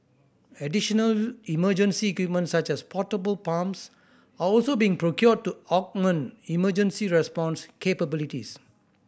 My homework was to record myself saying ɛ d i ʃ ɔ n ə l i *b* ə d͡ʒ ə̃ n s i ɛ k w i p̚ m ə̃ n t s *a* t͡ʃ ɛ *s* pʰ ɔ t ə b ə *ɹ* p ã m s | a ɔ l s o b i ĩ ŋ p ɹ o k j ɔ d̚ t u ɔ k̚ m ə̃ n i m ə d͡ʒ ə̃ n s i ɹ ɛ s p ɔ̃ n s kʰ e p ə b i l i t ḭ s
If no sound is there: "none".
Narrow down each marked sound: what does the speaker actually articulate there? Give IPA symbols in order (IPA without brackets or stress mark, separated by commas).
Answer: m, a, s, l